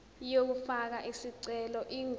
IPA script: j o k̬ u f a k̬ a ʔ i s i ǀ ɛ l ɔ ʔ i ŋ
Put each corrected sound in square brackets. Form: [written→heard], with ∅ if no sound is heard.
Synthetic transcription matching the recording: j o k̬ u f a k̬ a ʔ i s i ǀ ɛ l ɔ ʔ i ŋ